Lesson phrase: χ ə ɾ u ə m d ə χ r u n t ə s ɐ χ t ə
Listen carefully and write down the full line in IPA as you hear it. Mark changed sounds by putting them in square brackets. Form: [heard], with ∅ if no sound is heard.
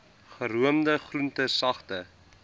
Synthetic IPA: χ ə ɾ u ə m d ə χ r u n t ə s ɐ χ t ə